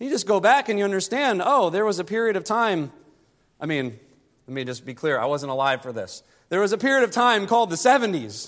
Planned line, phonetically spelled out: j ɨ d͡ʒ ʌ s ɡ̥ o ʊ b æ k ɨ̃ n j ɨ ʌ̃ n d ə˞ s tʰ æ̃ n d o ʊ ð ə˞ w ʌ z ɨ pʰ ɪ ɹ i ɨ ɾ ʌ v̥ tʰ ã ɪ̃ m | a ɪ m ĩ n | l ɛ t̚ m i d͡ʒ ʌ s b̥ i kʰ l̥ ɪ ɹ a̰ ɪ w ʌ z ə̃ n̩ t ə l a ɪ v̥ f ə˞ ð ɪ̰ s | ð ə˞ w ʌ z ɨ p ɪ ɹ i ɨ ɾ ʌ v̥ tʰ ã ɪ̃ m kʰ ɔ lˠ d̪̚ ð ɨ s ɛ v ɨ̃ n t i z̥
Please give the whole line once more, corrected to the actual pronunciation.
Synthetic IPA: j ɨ d͡ʒ ʌ s ɡ̥ o ʊ b æ k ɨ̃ n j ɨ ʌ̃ n d ə˞ s t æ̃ n d o ʊ ð ə˞ w ʌ z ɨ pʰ ɪ ɹ i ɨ ɾ ʌ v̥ tʰ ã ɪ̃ m | a ɪ m ĩ n | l ɛ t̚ m i d͡ʒ ʌ s b̥ i kʰ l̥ ɪ ɹ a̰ ɪ w ʌ z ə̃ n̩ t ə l a ɪ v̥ f ə˞ ð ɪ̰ s | ð ə˞ w ʌ z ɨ p ɪ ɹ i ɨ ɾ ʌ v̥ tʰ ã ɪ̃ m kʰ ɔ lˠ d̪̚ ð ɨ s ɛ v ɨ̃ n t i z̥